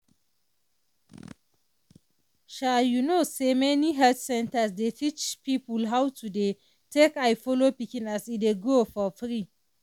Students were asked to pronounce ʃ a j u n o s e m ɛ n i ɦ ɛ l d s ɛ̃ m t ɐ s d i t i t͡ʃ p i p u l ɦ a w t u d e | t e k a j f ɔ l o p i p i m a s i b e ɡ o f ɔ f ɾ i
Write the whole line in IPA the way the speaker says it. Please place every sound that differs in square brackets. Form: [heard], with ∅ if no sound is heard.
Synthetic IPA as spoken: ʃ a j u n o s e m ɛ n i ɦ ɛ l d s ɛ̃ [n] t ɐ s d [e] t i t͡ʃ p i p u l ɦ a w t u d e | t e k a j f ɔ l o p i [k] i [n] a s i [d] e ɡ o f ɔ f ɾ i